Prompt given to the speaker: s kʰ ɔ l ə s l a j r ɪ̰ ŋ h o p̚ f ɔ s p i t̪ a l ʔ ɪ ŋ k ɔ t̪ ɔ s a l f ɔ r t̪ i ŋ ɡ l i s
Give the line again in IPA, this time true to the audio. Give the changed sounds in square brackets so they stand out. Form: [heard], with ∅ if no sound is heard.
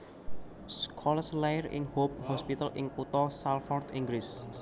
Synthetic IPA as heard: s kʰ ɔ l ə s l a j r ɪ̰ ŋ h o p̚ [h] ɔ s p i t̪ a l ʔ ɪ ŋ k [u] t̪ ɔ s a l f ɔ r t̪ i ŋ ɡ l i s

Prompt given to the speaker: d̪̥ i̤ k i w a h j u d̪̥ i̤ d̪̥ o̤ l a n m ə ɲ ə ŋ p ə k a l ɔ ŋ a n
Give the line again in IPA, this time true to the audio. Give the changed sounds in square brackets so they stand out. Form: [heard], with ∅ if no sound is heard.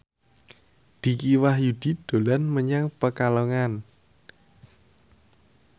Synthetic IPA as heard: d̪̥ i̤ k i w a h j u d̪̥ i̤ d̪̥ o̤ l a n m ə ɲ [a] ŋ p ə k a l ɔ ŋ a n

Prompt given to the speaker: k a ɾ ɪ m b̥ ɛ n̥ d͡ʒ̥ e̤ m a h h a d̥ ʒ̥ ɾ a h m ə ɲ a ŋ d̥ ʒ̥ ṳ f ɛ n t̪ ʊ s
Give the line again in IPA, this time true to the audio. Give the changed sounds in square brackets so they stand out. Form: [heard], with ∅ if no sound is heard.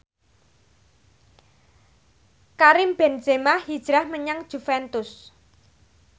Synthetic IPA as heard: k a ɾ ɪ m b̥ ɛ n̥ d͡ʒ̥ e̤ m a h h [i] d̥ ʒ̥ ɾ a h m ə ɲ a ŋ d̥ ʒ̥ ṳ f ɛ n t̪ ʊ s

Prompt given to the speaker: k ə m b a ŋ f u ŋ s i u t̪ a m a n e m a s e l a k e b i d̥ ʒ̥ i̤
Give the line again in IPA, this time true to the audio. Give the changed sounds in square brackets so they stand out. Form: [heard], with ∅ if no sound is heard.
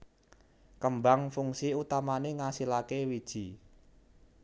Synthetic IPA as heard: k ə m b a ŋ f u ŋ s i u t̪ a m a n e [ŋ] a s [i] l a k e [w] i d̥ ʒ̥ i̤

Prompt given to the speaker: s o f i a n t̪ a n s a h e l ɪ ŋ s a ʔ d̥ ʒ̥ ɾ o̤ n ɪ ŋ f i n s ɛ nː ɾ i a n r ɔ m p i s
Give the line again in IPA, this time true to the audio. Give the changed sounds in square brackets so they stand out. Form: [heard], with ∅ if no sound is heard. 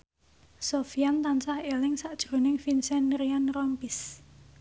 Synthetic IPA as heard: s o f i a n t̪ a n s a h e l ɪ ŋ s a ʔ d̥ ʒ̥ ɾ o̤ n ɪ ŋ f i n s ɛ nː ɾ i a n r ɔ m p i s

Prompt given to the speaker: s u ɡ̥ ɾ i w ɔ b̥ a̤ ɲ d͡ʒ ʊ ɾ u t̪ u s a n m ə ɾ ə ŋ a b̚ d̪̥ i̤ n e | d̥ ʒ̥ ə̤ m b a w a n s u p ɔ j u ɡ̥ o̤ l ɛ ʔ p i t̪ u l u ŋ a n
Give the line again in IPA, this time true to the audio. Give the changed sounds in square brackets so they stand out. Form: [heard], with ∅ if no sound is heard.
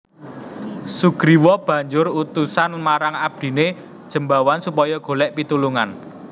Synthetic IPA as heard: s u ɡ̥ ɾ i w ɔ b̥ a̤ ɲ d͡ʒ ʊ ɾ u t̪ u s a n m [a] ɾ [a] ŋ a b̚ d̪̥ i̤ n e | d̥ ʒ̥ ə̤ m b a w a n s u p ɔ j [ɔ] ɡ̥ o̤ l ɛ ʔ p i t̪ u l u ŋ a n

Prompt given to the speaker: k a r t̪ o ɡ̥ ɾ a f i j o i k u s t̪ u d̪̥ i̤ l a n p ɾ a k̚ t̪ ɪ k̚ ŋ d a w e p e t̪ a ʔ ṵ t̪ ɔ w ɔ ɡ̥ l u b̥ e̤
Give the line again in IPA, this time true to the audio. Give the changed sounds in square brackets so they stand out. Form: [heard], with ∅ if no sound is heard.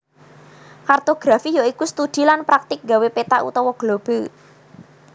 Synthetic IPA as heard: k a r t̪ o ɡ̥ ɾ a f i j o i k u s t̪ u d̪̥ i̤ l a n p ɾ a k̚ t̪ ɪ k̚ ŋ [ɡ] a w e p e t̪ a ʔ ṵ t̪ ɔ w ɔ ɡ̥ l [o] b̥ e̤

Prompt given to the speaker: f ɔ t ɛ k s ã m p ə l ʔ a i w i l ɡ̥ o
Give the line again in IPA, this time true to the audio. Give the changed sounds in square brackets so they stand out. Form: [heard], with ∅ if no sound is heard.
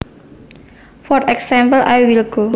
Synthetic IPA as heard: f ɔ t ɛ k s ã m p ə l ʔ a [j] w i l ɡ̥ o

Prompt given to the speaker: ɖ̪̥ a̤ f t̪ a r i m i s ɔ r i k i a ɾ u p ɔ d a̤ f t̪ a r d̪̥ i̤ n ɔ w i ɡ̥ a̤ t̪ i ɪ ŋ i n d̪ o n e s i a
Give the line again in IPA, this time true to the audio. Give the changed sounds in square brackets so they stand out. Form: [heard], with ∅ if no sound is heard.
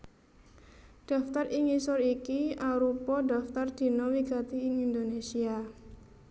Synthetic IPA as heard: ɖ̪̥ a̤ f t̪ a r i [ŋ] i s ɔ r i k i a ɾ u p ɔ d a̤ f t̪ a r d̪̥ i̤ n ɔ w i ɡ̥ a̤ t̪ i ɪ ŋ i n d̪ o n e s i a

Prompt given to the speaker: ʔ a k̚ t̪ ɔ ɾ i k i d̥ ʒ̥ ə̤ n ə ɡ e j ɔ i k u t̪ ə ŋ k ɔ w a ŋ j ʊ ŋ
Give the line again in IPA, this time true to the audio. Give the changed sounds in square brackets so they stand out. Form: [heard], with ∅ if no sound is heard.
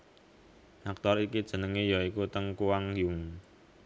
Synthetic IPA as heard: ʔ a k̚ t̪ ɔ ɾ i k i d̥ ʒ̥ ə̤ n ə [ŋ] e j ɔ i k u t̪ ə ŋ k [u] w a ŋ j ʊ ŋ

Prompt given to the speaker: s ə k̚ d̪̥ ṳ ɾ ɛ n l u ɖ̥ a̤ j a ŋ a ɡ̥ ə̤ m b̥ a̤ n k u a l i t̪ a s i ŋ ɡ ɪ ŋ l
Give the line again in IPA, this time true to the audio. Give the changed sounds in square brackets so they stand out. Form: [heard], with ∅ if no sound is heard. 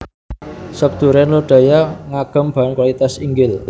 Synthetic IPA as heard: s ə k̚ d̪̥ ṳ ɾ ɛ n l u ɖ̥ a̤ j a ŋ a ɡ̥ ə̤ m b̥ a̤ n k [w] a l i t̪ a s i ŋ ɡ ɪ [∅] l

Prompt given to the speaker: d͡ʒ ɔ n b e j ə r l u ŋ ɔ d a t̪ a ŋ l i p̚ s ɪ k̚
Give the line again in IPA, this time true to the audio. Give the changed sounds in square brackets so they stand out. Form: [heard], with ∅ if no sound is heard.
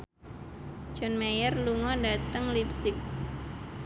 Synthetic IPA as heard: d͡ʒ ɔ n [m] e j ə r l u ŋ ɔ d a t̪ [ə] ŋ l i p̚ s ɪ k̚

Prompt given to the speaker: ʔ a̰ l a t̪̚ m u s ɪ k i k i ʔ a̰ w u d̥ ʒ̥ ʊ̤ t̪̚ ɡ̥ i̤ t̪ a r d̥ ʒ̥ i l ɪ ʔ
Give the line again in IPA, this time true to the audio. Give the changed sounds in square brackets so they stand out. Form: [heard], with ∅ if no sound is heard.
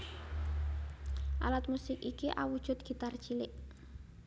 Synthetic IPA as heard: ʔ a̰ l a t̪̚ m u s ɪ k i k i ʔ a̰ w u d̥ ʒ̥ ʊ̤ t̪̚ ɡ̥ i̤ t̪ a r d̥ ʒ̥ i l ɪ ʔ

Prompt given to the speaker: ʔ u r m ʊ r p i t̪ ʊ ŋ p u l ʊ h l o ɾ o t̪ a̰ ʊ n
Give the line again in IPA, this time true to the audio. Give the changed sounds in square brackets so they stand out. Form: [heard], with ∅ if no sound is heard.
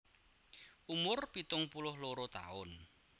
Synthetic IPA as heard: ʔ u [∅] m ʊ r p i t̪ ʊ ŋ p u l ʊ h l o ɾ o t̪ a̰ ʊ n

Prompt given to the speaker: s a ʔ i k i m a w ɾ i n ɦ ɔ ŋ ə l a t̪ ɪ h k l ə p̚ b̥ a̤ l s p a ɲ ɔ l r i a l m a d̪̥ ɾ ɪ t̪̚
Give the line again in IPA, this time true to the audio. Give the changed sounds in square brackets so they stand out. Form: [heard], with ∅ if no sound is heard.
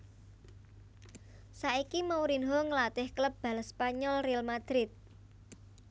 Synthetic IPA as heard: s a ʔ i k i m a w ɾ i n ɦ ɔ ŋ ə l a t̪ ɪ h k l ə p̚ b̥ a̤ l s p a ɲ ɔ l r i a l m a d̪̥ ɾ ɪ t̪̚

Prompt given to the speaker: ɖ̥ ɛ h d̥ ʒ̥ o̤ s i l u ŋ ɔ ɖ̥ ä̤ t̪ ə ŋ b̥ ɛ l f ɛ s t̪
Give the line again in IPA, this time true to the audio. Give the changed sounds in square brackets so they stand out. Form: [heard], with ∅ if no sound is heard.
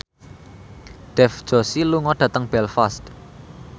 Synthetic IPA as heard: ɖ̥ ɛ [f] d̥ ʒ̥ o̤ s i l u ŋ ɔ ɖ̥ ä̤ t̪ ə ŋ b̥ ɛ l f [a] s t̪

